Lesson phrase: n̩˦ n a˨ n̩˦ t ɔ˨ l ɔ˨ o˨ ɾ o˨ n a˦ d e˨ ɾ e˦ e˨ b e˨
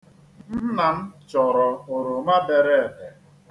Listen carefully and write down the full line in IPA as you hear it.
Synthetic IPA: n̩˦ n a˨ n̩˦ t͡ʃ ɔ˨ ɾ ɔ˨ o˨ ɾ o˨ m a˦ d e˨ ɾ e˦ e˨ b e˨